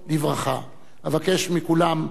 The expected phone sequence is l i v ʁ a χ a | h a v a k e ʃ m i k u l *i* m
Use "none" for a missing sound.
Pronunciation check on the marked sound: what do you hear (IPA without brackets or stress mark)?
a